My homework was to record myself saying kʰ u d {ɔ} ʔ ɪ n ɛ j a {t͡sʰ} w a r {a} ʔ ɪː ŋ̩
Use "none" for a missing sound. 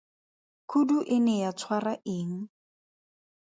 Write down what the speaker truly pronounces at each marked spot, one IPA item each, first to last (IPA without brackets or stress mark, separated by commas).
u, t͡sʰ, a